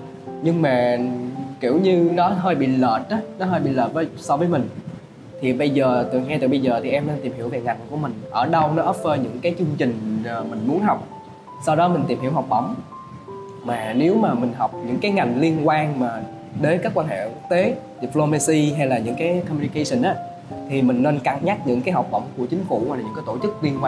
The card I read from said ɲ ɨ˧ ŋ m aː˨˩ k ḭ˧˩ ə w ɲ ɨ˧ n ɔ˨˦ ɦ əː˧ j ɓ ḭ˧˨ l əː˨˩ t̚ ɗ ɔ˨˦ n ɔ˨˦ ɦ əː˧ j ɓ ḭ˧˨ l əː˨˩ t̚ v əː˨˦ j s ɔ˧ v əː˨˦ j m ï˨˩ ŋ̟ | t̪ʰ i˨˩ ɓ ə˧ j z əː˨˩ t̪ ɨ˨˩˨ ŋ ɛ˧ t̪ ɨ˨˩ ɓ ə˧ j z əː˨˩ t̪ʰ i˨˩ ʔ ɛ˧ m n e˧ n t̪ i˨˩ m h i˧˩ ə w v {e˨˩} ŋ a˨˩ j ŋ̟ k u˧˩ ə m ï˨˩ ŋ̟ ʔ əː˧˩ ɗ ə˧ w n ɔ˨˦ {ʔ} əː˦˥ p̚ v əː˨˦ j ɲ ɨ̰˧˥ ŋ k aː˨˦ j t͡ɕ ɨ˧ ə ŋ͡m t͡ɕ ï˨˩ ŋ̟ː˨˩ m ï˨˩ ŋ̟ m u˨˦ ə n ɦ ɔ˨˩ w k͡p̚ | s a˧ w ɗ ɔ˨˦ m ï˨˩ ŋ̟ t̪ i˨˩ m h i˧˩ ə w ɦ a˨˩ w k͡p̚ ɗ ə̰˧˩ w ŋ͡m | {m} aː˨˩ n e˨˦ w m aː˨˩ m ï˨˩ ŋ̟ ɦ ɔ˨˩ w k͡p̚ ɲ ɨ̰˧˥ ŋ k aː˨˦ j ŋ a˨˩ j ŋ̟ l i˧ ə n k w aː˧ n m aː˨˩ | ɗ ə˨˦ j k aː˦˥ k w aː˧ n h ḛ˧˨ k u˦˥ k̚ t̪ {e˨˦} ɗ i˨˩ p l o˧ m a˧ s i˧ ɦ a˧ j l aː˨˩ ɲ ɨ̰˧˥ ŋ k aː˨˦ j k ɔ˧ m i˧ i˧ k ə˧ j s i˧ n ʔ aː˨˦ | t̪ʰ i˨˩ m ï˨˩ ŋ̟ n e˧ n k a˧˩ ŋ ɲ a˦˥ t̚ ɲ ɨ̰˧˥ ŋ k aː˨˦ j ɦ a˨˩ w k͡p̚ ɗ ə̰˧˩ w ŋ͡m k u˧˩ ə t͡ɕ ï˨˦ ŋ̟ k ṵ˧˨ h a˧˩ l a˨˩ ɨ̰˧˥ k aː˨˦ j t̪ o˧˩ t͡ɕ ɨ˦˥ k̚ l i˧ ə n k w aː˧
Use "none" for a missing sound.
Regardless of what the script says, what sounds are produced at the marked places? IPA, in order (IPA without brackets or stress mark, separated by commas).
e˨˩, ʔ, m, e˨˦